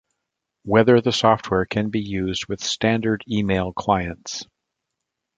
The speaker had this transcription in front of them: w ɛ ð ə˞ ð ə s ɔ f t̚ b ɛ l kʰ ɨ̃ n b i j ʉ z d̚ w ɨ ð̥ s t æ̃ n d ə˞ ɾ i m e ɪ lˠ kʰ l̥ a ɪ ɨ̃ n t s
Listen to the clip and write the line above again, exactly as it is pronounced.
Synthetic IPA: w ɛ ð ə˞ ð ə s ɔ f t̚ w ɛ ɹ kʰ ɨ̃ n b i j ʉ z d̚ w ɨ ð̥ s t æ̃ n d ə˞ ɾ i m e ɪ lˠ kʰ l̥ a ɪ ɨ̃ n t s